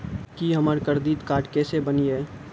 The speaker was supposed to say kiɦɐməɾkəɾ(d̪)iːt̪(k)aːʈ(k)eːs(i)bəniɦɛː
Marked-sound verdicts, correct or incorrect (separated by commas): correct, correct, correct, incorrect